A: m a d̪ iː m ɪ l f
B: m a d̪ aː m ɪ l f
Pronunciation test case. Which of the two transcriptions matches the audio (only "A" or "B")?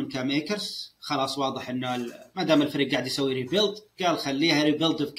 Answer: B